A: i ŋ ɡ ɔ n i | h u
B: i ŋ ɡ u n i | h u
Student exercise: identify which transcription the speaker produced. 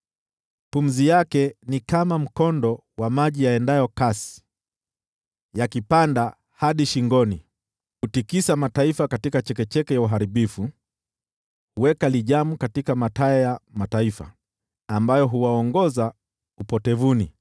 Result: A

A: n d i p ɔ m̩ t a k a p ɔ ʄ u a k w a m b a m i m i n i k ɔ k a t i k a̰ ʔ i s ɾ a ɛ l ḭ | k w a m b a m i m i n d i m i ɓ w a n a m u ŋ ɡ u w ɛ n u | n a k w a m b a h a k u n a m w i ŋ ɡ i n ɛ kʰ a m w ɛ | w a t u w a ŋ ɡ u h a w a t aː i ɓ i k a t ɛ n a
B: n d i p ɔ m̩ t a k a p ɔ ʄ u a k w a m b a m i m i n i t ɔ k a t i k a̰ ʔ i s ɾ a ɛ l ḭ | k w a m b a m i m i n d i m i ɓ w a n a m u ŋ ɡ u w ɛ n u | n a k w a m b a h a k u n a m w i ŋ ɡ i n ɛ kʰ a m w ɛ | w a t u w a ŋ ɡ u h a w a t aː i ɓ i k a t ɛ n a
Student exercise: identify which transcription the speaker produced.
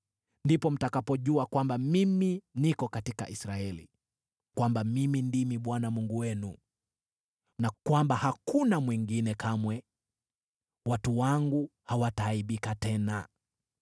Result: A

